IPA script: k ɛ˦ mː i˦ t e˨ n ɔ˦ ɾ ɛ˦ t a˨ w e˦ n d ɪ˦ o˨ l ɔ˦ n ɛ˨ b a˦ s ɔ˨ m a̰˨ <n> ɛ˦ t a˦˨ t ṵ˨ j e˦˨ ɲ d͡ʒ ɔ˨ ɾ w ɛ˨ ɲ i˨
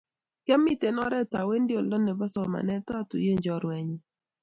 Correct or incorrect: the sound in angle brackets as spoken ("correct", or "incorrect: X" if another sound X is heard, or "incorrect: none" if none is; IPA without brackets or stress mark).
correct